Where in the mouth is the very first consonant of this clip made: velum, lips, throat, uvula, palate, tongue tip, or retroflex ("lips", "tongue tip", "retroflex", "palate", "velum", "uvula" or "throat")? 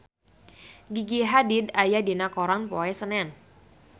velum